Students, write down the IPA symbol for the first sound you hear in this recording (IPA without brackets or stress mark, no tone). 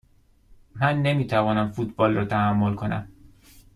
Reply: m